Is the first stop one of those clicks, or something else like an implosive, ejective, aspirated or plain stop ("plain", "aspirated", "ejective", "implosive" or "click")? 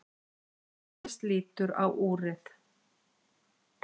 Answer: plain